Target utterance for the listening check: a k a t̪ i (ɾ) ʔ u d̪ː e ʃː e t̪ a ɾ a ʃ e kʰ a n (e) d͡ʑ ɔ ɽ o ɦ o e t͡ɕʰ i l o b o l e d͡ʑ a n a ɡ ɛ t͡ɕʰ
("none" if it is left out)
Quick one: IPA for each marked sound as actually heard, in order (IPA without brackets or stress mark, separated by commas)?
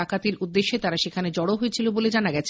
ɾ, e